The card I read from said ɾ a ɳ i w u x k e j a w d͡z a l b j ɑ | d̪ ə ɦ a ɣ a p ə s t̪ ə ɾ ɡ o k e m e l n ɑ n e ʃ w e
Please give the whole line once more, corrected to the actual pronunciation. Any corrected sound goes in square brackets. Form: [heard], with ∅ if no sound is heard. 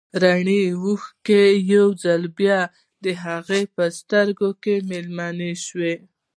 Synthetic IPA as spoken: ɾ a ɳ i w u x k e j a w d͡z a l b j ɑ | d̪ ə ɦ a ɣ [e] p ə s t̪ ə ɾ ɡ o k e m e l [m] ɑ n e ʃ w e